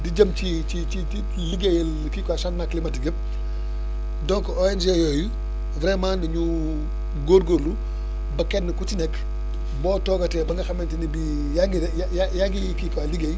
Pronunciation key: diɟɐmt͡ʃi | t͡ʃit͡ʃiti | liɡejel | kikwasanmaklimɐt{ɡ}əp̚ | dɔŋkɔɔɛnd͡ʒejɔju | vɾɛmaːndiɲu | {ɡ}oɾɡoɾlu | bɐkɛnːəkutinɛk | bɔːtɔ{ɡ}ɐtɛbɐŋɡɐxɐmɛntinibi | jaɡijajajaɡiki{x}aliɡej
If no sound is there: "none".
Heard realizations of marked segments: ɡ, ɡ, ɡ, k

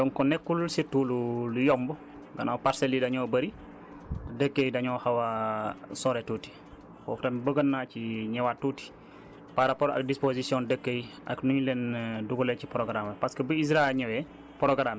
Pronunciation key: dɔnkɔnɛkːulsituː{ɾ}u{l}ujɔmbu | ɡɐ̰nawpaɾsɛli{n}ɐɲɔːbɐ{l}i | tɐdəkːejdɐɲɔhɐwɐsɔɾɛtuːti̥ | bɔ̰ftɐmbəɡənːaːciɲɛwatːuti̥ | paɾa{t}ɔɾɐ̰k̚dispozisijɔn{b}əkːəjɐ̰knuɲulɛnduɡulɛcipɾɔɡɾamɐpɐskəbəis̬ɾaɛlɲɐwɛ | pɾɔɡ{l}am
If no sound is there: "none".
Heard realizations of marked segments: l, l, d, ɾ, p, d, ɾ

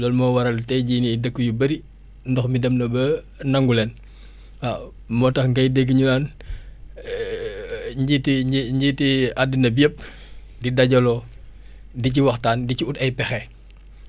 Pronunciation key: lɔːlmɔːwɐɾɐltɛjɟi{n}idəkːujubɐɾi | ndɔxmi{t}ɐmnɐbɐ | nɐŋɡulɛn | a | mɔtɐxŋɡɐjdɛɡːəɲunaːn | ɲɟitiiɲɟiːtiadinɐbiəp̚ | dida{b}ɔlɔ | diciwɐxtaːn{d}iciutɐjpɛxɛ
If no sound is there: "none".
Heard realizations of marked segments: n, d, ɟ, d

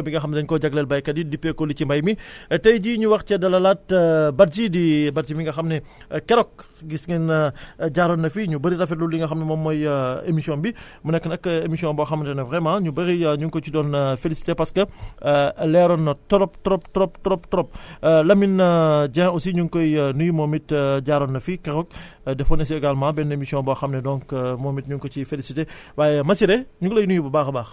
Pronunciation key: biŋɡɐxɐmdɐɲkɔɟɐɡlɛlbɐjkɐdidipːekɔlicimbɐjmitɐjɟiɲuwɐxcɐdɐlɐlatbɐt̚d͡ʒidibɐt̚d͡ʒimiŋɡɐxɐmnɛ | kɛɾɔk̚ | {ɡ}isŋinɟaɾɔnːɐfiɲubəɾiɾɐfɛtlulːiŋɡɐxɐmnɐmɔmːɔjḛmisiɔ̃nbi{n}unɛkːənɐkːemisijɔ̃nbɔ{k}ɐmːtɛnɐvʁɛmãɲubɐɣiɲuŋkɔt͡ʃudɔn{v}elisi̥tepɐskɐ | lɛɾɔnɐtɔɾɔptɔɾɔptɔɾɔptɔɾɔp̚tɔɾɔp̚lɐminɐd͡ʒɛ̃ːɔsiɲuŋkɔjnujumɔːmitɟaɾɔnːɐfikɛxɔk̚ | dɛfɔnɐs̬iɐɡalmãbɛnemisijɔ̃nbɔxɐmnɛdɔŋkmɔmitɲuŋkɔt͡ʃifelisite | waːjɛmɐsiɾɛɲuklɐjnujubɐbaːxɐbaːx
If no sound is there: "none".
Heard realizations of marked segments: ɡ, m, x, f

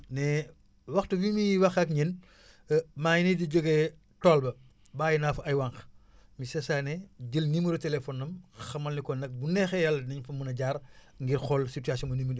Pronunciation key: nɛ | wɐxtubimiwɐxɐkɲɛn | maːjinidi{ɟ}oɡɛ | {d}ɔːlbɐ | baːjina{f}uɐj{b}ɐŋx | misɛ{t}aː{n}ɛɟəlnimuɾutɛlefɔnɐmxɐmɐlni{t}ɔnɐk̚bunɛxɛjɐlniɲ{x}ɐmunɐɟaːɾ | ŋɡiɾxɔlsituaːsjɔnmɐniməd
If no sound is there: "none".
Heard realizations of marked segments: ɟ, t, f, w, s, n, k, f

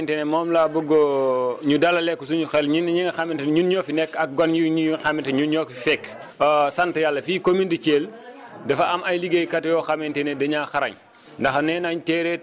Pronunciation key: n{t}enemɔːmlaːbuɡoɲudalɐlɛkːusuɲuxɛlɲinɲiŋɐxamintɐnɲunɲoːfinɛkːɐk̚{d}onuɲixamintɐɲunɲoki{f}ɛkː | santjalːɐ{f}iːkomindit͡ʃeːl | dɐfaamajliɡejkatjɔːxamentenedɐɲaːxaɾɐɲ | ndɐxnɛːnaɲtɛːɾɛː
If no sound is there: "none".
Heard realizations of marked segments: t, ɡ, f, f

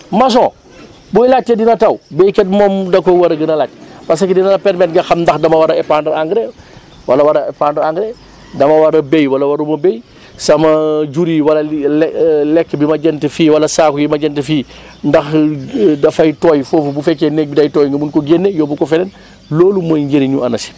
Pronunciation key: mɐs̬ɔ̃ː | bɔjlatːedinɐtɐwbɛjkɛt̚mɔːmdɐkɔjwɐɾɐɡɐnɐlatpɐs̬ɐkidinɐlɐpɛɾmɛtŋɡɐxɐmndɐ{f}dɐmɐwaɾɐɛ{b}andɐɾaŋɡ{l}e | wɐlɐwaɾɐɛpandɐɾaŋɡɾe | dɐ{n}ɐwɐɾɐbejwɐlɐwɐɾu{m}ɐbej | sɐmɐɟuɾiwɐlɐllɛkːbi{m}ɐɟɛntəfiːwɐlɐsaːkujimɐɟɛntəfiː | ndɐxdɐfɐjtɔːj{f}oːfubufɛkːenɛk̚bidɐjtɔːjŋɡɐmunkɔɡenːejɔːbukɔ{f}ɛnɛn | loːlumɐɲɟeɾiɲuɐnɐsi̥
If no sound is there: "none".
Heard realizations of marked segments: x, p, ɾ, m, m, m, f, f

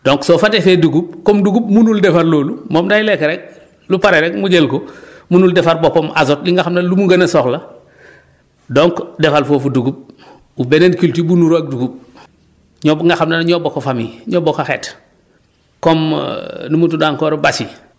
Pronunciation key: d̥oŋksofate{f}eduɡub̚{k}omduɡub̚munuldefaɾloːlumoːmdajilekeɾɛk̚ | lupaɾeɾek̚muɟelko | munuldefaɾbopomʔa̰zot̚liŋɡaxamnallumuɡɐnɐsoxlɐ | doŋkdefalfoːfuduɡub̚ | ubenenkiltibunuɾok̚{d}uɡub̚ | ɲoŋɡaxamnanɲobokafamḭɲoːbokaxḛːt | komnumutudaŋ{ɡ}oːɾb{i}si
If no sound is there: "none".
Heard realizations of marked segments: f, k, d, k, a

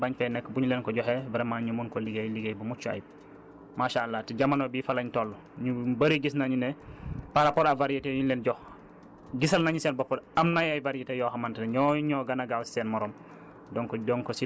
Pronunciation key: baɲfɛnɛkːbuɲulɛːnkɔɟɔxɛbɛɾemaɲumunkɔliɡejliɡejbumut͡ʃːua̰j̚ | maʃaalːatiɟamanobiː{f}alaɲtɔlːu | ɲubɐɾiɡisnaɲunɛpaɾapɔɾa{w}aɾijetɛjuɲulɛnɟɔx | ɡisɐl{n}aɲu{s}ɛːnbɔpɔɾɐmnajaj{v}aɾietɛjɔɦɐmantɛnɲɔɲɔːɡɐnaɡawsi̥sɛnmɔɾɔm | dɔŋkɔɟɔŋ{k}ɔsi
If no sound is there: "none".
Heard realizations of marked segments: f, v, n, s, v, k

